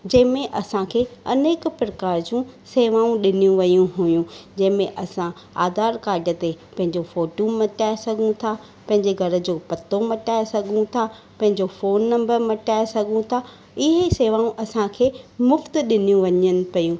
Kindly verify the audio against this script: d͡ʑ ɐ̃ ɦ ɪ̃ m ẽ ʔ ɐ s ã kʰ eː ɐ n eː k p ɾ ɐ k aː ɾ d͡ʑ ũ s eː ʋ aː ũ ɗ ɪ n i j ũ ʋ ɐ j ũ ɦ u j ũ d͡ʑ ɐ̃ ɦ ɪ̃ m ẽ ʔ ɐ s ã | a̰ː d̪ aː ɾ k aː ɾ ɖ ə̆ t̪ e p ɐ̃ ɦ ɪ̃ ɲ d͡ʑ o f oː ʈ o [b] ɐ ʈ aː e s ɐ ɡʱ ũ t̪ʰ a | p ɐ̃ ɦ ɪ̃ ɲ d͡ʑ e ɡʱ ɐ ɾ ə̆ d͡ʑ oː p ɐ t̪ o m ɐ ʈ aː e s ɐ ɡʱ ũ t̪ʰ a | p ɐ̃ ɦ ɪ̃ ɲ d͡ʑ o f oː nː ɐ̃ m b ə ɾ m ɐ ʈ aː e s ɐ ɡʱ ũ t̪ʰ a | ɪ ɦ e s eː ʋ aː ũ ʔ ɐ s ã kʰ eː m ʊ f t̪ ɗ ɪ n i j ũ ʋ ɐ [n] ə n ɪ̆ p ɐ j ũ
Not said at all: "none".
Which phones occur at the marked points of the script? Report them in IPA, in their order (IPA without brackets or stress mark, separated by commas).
m, ɲ